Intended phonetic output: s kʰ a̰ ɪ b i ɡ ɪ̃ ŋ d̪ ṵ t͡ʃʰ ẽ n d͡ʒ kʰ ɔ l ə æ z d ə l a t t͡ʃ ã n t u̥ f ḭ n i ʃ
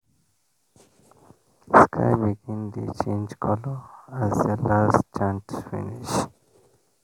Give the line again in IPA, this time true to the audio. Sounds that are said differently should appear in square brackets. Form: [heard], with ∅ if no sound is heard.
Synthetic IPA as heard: s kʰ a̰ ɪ b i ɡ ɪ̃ [n] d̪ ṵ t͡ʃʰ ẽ n d͡ʒ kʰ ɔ l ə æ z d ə l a [s] t͡ʃ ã n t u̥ f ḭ n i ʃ